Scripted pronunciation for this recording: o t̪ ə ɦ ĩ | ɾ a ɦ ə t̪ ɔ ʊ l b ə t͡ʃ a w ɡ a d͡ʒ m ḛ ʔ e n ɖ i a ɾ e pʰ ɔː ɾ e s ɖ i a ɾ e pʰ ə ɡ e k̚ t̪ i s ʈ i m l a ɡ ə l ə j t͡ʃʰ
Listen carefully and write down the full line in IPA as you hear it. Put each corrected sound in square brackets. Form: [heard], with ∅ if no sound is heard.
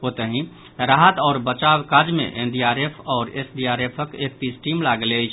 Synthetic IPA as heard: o t̪ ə ɦ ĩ | ɾ a ɦ ə t̪ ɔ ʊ [ɾ] b ə t͡ʃ a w [k] a d͡ʒ m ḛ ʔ e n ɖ i a ɾ e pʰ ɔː ɾ e s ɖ i a ɾ e pʰ ə [k] e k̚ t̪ i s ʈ i m l a ɡ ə l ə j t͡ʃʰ

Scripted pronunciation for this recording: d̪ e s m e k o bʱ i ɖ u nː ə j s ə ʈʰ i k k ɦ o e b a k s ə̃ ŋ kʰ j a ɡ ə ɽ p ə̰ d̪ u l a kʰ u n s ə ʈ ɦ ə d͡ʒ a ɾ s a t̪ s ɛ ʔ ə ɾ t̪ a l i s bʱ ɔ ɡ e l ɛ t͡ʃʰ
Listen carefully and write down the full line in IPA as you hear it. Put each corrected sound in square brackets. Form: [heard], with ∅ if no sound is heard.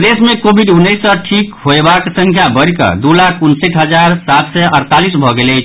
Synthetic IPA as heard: d̪ e s m e k o bʱ i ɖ u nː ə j s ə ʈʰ i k k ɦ o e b a k s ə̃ ŋ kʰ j a [b] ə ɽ [k] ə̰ d̪ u l a kʰ u n s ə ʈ ɦ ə d͡ʒ a ɾ s a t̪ s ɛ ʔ ə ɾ t̪ a l i s bʱ ɔ ɡ e l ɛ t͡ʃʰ

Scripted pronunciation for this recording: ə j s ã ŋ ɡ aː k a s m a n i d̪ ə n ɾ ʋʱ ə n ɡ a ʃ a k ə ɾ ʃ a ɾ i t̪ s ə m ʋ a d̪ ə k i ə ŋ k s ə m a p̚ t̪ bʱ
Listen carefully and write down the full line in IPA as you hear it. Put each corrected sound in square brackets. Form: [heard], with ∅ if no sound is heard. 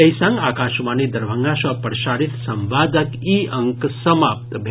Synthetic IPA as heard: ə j s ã ŋ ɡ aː k a [ʃ] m a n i d̪ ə [∅] ɾ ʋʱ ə [ŋ] ɡ a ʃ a [p] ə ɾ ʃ a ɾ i t̪ s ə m ʋ a d̪ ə k i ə ŋ k s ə m a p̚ t̪ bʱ

